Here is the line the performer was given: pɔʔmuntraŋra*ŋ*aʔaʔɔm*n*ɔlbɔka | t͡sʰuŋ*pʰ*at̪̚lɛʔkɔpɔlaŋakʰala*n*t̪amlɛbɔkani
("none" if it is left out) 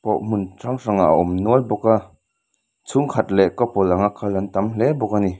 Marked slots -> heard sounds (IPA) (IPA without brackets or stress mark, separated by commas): ŋ, n, kʰ, n